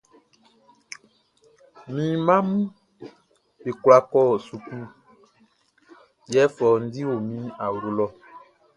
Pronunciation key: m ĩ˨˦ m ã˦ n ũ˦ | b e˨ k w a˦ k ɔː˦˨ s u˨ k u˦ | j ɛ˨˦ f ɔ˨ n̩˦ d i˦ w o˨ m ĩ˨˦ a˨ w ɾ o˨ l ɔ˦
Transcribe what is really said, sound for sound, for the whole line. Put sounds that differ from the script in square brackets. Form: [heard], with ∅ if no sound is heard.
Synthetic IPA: m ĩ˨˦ m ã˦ [m] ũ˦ | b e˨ k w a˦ k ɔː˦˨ s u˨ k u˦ | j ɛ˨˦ f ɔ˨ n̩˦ d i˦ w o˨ m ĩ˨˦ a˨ w ɾ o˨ l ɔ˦